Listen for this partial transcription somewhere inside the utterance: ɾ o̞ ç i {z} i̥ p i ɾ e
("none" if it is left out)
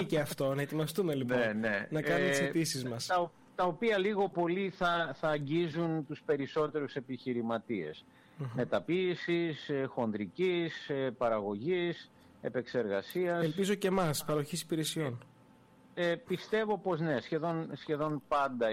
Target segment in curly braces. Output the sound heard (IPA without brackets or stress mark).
s